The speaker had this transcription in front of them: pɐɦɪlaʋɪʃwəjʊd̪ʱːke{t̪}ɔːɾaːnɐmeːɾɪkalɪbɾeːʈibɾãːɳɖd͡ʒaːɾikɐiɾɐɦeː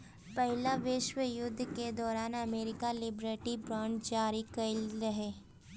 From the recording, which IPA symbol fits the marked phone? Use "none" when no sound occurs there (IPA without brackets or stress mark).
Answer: d̪